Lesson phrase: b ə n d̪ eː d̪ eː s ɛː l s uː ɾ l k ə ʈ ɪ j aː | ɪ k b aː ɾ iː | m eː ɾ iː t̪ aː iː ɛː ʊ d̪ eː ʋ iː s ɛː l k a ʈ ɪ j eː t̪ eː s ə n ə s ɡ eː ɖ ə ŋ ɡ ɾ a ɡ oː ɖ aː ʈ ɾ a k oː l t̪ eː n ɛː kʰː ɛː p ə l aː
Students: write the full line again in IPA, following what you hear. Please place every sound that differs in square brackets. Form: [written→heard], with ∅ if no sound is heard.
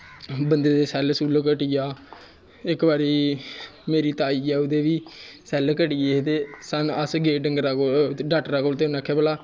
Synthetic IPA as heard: b ə n d̪ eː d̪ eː s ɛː l s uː [ɾ→∅] l k ə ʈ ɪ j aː | ɪ k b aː ɾ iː | m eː ɾ iː t̪ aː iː ɛː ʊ d̪ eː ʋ iː s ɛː l k [a→ə] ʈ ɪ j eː t̪ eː s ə n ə s ɡ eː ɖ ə ŋ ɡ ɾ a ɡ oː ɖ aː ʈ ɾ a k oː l t̪ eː n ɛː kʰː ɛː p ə l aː